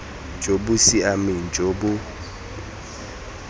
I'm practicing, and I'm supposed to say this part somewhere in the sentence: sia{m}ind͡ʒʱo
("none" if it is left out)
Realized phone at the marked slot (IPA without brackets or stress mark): m